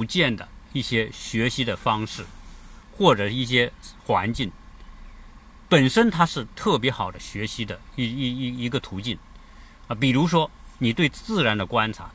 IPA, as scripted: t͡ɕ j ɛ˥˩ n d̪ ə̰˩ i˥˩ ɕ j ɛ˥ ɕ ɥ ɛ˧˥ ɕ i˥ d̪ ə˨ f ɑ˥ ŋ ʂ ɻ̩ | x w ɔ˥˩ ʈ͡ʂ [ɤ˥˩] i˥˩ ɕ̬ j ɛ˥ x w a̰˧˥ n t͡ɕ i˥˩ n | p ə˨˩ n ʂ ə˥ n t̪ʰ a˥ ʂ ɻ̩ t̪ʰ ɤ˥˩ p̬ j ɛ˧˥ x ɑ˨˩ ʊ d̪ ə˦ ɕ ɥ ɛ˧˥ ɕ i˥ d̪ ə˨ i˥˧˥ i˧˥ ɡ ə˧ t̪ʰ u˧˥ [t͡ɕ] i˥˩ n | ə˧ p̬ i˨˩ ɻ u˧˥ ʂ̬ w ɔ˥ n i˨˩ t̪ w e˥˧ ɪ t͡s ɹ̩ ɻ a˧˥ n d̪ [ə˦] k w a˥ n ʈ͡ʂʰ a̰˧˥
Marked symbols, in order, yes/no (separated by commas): no, yes, no